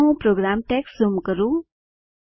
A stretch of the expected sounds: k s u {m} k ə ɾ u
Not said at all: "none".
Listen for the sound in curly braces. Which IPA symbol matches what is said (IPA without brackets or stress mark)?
m